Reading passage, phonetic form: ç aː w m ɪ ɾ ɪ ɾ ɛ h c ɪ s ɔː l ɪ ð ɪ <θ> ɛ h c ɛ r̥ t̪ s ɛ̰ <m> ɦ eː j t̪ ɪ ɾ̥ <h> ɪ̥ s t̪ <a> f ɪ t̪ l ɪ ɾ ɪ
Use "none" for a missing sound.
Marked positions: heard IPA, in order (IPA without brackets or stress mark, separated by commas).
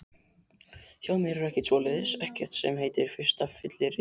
s, m, f, a